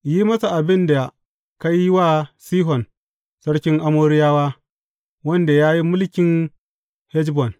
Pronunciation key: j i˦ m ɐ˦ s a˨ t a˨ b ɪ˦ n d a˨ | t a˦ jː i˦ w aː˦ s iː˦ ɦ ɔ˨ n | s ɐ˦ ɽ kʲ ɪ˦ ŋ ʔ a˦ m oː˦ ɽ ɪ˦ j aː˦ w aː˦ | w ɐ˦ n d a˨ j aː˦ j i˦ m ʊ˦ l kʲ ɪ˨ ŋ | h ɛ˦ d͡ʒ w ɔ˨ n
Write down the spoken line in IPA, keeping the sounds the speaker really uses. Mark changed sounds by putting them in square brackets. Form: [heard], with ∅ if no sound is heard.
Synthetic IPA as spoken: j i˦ m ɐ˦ s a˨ [ʔ] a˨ b ɪ˦ n d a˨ | [k] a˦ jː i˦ w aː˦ s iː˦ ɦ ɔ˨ n | s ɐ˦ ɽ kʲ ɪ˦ ŋ ʔ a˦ m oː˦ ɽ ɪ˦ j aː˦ w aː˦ | w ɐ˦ n d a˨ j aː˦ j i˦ m ʊ˦ l kʲ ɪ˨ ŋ | h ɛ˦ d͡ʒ [b] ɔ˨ n